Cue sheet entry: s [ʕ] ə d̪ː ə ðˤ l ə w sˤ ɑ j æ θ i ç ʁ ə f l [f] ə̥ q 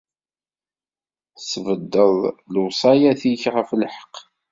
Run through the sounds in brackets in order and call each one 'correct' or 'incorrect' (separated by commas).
incorrect, incorrect